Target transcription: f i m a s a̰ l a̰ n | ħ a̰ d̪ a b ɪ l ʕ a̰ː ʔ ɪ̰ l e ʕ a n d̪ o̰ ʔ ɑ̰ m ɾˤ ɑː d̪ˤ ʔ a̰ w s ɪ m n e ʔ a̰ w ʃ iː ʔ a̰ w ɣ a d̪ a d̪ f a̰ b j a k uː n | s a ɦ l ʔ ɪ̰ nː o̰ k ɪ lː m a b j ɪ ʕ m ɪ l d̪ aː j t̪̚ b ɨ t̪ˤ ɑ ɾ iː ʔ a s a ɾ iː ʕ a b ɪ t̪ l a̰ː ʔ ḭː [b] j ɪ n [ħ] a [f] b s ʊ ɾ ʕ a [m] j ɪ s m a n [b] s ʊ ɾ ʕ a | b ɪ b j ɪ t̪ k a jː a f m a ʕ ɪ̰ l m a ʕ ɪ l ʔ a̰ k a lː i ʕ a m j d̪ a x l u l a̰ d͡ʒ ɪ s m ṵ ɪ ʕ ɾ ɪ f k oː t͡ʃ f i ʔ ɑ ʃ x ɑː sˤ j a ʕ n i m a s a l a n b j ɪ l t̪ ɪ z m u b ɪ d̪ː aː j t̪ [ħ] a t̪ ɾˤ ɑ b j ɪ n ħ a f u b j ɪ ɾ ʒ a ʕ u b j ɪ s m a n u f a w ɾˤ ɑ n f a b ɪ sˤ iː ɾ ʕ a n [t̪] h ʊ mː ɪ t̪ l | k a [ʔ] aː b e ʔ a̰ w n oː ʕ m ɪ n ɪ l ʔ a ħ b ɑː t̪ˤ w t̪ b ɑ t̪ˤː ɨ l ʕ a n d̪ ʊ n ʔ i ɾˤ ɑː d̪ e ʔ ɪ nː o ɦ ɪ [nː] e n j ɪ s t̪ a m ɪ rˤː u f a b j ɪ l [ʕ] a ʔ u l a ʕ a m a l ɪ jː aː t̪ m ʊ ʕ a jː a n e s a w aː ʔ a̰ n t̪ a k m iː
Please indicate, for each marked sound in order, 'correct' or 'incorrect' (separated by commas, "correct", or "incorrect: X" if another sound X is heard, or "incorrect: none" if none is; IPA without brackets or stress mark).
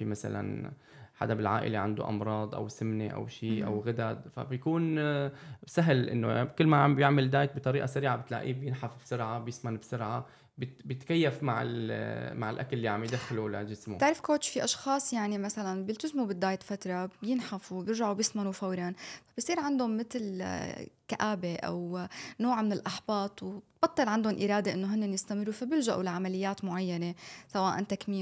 correct, correct, correct, incorrect: b, correct, incorrect: f, incorrect: d̪, correct, correct, incorrect: ʒ